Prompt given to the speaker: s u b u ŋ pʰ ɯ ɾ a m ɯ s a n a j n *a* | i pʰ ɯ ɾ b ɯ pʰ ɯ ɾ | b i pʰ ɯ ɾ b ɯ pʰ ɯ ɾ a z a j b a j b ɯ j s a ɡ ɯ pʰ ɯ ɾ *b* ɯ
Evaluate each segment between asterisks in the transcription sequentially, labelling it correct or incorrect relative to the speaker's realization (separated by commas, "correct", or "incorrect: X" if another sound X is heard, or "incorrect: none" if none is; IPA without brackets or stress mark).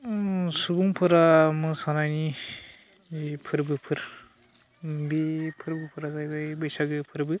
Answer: incorrect: i, correct